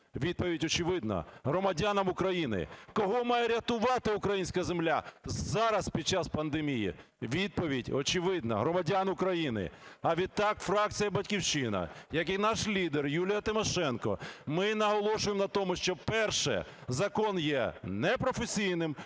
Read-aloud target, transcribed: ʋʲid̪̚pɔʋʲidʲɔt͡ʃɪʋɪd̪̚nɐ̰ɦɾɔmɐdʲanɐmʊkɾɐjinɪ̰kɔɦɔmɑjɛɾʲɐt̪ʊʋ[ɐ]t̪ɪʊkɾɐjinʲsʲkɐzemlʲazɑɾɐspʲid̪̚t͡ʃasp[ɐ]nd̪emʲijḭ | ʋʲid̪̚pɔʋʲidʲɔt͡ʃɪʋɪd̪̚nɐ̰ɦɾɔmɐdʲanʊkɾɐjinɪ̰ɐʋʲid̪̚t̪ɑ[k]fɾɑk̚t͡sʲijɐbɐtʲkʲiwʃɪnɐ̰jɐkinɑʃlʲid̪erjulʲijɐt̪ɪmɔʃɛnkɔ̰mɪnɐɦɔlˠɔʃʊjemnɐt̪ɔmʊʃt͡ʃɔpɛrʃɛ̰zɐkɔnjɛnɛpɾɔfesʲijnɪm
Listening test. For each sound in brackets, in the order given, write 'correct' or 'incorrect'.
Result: incorrect: ɑ, correct, correct

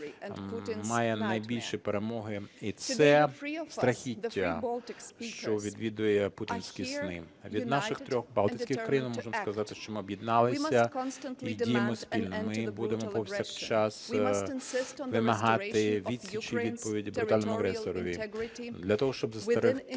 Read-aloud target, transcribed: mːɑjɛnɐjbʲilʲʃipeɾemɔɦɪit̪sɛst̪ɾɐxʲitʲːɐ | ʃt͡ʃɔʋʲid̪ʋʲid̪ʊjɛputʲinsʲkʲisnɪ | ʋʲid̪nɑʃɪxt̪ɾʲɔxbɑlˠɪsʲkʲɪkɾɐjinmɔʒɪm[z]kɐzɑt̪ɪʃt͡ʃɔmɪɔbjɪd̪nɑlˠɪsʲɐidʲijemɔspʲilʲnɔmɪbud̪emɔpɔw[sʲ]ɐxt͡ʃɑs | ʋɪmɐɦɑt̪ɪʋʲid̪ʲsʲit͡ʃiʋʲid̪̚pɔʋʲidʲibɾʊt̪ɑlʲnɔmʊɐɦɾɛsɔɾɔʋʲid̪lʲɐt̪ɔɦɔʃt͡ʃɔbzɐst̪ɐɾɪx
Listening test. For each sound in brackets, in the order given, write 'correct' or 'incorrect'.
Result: incorrect: s, correct

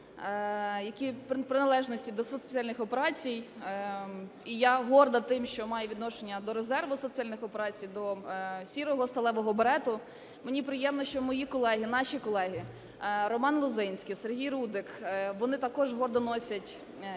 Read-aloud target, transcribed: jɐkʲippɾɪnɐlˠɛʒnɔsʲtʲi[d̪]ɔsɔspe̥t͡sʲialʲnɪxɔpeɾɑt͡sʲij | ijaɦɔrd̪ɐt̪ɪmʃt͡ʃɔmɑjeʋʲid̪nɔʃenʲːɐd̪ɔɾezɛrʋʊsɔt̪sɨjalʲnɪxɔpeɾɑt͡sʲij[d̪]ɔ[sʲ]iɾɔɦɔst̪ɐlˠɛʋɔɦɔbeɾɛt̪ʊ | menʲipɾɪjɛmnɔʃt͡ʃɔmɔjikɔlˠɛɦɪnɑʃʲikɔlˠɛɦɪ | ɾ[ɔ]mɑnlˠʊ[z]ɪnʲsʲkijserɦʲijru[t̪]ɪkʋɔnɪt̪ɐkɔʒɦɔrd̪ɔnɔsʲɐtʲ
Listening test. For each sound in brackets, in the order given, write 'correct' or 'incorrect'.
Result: correct, correct, correct, correct, correct, incorrect: d̪

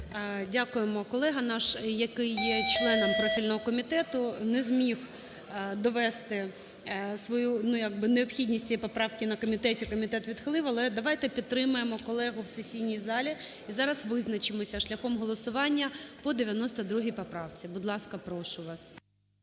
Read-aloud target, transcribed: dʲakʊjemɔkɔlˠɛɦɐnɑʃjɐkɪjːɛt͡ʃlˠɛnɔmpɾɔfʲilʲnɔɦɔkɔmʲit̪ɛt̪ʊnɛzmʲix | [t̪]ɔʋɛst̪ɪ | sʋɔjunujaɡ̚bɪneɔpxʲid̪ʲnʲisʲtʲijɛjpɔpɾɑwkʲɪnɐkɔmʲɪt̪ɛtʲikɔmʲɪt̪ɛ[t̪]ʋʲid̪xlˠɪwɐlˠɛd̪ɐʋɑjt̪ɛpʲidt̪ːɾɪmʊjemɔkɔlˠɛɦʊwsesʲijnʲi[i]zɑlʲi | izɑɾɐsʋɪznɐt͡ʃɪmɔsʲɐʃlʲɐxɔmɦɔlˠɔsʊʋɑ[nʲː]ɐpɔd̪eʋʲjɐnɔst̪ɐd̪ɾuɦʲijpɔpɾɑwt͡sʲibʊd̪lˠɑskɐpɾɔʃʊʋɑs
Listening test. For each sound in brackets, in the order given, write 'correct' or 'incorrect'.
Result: incorrect: d̪, correct, incorrect: j, correct

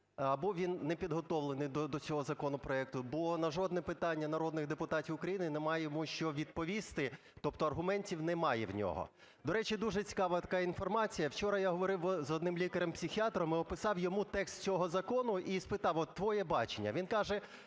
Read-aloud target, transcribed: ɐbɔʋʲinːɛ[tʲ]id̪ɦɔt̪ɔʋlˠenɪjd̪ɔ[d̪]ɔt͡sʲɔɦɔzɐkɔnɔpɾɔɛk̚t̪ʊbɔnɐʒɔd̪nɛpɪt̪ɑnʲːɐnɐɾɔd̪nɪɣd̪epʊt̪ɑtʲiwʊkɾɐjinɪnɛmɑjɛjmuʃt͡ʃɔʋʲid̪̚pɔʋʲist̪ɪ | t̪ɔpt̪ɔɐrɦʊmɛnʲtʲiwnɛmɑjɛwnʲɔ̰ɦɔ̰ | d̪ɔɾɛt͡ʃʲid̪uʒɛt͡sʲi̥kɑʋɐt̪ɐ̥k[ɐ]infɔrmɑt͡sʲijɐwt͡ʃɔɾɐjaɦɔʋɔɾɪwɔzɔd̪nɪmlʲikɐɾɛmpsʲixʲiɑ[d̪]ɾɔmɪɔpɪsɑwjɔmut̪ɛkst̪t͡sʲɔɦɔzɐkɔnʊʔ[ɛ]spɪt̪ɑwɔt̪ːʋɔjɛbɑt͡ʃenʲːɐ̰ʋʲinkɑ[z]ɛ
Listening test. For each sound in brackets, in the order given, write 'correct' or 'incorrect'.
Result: incorrect: pʲ, correct, incorrect: ɑ, incorrect: t̪, incorrect: i, incorrect: ʒ

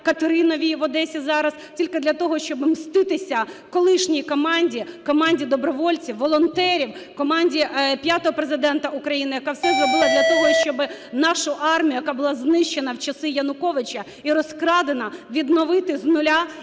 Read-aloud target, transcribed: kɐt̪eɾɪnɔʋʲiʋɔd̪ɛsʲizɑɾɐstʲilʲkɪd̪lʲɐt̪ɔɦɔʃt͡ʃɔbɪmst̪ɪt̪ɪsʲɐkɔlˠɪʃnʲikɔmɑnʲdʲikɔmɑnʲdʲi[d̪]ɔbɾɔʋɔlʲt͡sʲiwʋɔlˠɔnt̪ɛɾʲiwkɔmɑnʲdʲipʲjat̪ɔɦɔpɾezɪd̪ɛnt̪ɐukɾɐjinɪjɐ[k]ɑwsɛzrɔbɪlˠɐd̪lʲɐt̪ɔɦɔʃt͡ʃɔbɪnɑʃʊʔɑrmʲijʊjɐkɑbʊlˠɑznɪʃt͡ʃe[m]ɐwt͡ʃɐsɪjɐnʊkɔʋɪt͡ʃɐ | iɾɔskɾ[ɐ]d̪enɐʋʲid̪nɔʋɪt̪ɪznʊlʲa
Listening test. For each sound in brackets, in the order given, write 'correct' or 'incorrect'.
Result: correct, correct, incorrect: n, incorrect: ɑ

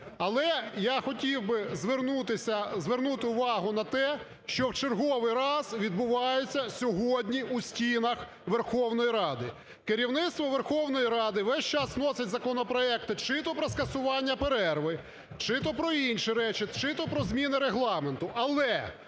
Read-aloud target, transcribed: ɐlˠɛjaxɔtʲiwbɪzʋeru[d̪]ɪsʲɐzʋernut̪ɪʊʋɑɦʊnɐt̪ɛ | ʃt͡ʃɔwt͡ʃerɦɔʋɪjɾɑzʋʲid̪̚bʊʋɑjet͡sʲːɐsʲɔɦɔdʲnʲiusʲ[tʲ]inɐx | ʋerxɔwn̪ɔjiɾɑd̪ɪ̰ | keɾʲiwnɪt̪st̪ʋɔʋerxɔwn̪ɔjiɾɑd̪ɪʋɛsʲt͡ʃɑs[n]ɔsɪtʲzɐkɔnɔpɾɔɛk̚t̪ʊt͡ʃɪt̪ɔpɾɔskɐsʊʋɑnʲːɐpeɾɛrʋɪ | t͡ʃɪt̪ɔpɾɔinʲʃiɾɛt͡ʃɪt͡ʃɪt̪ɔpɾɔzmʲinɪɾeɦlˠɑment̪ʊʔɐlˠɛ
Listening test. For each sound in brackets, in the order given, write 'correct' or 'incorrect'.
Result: incorrect: t̪, correct, correct

